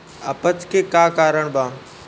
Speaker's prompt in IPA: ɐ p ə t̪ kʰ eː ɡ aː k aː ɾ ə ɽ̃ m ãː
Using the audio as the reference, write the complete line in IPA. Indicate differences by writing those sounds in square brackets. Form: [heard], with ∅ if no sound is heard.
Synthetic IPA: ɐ p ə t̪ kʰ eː [k] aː k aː ɾ ə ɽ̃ [b] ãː